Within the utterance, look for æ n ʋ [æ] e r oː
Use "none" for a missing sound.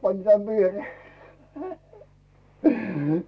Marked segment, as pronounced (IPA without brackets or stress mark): i